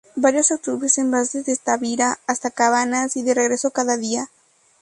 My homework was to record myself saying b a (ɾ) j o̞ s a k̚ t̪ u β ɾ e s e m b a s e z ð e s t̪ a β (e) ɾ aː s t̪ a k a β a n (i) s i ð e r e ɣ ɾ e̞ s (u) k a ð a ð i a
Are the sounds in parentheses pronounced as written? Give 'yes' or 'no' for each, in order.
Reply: yes, no, no, no

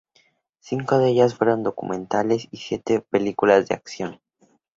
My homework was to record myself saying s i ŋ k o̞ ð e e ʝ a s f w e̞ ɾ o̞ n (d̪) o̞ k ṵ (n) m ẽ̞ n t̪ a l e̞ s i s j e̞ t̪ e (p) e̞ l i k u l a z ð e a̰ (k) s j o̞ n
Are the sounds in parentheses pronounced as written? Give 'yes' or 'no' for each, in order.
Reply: yes, no, yes, yes

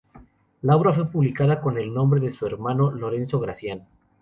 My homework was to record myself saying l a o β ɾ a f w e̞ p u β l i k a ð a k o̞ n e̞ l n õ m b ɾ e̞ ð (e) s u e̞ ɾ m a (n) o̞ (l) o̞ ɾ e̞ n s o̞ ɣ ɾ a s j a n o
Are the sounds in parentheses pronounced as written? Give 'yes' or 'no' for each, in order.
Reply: yes, yes, yes

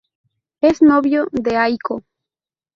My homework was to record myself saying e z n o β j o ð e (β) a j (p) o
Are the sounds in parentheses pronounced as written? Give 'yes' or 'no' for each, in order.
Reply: no, no

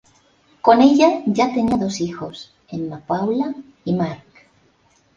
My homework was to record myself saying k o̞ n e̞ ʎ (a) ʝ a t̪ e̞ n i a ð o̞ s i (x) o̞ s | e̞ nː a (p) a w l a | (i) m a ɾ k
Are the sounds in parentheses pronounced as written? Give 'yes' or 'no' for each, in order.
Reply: yes, yes, yes, yes

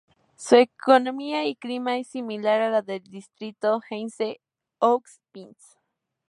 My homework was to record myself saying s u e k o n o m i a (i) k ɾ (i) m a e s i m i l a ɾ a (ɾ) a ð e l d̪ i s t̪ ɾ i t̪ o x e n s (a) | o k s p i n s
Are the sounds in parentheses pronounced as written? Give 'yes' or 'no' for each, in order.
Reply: yes, yes, no, no

